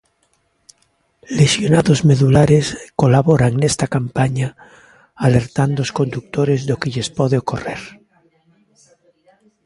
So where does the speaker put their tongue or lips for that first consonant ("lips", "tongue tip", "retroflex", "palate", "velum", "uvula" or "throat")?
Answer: tongue tip